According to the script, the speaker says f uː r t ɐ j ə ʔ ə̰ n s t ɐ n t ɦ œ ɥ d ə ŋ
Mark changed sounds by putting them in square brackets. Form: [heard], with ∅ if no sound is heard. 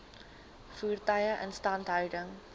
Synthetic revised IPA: f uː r t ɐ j ə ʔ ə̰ n s t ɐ n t ɦ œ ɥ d ə ŋ